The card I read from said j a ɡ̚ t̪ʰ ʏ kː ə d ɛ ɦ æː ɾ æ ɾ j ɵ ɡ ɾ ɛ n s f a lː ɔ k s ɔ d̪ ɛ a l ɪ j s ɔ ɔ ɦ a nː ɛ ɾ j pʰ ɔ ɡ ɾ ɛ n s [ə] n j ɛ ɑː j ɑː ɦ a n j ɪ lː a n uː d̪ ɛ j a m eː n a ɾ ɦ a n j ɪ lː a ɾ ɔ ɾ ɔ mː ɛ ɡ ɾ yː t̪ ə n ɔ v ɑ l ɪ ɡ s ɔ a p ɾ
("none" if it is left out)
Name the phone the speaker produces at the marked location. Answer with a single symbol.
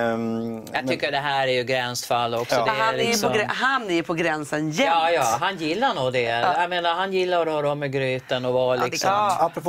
ə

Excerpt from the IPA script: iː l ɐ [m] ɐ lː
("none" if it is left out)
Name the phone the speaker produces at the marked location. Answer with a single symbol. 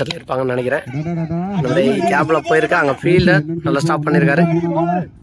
n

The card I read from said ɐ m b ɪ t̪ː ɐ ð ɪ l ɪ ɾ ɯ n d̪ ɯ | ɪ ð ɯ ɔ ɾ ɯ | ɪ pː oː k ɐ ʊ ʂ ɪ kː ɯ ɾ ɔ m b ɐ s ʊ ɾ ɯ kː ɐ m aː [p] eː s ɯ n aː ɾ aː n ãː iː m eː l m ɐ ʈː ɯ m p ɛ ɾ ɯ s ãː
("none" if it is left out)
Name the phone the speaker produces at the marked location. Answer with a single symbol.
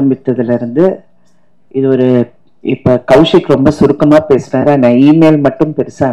p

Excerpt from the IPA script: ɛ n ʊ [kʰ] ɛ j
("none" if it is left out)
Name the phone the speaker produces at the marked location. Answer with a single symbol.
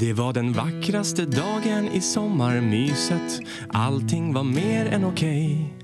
kʰ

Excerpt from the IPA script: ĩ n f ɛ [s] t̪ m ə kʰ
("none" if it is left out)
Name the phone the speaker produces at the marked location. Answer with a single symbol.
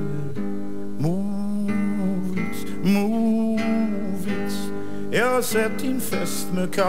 s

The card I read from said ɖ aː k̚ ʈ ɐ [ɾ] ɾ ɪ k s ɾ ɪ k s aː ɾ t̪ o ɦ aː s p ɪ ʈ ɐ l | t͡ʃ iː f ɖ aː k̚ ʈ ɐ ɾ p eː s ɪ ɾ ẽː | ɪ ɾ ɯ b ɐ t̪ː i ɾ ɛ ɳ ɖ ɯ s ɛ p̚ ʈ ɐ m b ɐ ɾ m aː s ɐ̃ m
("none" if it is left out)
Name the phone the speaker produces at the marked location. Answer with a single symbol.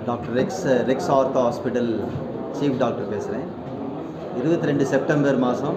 ɾ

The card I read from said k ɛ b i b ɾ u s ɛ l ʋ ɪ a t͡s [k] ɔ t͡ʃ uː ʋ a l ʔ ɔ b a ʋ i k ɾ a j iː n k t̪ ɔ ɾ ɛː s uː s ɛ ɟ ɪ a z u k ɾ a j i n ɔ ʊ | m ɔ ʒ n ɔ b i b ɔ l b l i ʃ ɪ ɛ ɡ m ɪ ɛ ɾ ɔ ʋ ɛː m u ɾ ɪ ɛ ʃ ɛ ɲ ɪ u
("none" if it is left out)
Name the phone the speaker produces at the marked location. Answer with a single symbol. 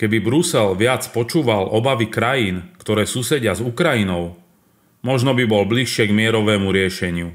p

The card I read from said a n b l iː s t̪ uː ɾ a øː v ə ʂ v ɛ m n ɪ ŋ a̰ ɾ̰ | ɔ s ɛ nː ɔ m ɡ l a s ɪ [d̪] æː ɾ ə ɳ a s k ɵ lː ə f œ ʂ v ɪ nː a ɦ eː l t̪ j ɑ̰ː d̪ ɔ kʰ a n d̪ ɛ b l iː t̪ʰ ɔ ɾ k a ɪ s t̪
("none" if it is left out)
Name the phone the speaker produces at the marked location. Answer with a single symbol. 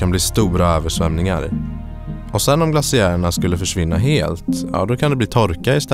none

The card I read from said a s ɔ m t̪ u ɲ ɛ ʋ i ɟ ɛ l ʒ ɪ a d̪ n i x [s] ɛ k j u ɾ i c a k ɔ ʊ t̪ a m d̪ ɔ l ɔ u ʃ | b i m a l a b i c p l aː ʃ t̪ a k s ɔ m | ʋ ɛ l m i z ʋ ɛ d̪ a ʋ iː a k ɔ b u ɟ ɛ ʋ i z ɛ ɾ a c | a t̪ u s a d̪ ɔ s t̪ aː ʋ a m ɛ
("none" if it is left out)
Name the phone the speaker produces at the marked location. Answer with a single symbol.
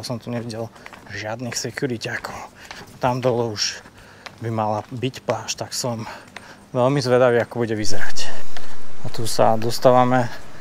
s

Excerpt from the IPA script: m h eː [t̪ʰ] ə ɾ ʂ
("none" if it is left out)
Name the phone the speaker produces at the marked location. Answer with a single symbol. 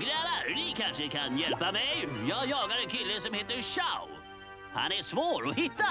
t̪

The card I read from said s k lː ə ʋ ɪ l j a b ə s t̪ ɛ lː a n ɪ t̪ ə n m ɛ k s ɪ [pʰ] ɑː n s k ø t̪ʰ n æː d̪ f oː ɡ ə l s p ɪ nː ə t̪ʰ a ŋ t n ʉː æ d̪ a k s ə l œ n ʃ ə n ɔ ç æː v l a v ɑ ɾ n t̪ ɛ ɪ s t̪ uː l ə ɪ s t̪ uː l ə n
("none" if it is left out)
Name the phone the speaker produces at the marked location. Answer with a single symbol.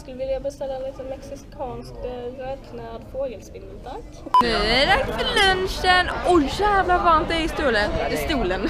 kʰ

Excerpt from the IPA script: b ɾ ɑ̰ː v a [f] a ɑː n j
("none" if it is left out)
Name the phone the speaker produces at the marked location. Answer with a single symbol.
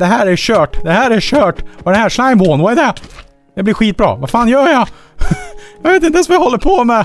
f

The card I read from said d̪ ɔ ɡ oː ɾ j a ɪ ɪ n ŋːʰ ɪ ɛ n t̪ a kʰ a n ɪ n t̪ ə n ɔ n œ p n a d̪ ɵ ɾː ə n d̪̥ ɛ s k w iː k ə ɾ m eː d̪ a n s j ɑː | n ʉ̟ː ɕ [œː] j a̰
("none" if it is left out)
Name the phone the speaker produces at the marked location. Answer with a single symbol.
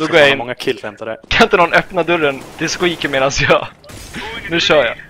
œː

